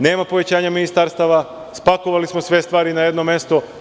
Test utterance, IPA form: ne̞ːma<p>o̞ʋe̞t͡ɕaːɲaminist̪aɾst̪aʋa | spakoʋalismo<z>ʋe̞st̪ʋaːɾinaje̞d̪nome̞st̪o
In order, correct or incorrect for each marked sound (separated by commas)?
correct, incorrect